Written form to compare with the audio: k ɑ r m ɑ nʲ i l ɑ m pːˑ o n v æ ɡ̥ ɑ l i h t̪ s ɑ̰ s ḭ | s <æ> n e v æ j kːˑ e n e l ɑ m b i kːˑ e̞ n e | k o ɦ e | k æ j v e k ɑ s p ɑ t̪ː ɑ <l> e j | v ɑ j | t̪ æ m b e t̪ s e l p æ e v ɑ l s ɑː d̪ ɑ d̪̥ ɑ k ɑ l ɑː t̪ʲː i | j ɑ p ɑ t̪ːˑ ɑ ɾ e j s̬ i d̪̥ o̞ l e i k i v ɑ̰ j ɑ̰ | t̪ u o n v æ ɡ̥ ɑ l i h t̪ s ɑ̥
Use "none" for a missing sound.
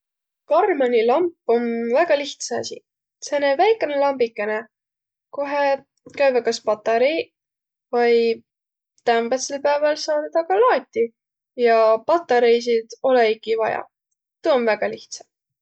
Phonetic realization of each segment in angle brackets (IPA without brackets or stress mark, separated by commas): e, ɾ